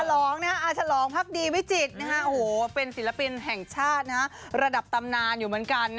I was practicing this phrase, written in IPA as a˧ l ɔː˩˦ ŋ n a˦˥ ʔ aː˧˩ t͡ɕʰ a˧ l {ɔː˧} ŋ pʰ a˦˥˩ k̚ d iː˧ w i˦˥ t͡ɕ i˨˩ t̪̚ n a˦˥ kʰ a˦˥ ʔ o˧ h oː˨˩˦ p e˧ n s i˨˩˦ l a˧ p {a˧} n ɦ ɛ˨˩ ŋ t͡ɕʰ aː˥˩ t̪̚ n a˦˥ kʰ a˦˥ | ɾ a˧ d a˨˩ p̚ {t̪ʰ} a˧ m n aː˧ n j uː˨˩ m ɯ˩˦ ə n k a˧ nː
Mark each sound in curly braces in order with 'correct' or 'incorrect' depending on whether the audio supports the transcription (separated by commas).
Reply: incorrect, incorrect, incorrect